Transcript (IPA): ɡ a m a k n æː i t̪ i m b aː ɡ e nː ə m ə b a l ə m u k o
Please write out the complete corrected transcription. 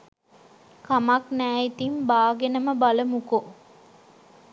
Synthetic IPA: k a m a k n æː i t̪ i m b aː ɡ e n ə m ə b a l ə m u k o